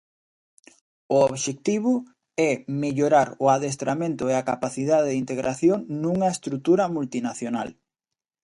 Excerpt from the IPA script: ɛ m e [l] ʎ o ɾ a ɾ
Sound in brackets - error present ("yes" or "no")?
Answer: yes